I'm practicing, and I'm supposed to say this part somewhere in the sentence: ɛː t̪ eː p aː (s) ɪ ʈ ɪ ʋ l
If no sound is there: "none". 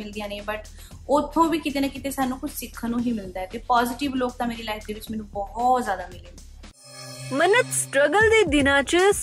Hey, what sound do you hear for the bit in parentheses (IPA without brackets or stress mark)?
z